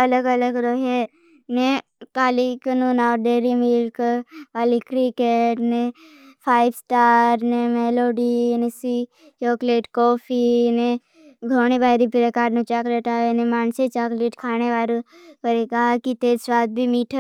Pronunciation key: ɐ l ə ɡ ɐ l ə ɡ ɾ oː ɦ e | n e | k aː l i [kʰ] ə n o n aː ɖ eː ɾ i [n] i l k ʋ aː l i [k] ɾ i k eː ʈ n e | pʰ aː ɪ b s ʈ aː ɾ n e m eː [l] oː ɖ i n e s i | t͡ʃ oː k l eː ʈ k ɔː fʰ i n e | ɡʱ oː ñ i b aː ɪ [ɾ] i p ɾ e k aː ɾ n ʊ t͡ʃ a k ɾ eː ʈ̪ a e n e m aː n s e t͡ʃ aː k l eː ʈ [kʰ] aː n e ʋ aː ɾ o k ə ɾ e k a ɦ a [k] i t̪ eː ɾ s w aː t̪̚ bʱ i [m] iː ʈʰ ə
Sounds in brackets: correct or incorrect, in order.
incorrect: k, incorrect: m, correct, correct, correct, correct, correct, correct

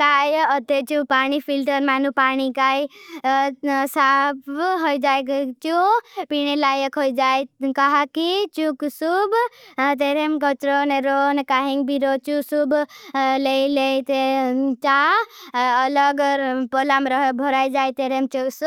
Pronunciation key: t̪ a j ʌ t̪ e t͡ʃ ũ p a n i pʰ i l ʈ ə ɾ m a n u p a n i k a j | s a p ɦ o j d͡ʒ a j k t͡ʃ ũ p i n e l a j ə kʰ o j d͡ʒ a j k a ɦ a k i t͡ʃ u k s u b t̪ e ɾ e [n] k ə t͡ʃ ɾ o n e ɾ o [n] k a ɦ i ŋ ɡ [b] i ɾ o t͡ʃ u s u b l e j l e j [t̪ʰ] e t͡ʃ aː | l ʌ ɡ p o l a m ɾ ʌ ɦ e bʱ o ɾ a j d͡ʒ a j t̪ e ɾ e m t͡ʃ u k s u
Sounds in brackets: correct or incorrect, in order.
incorrect: m, correct, correct, incorrect: t̪

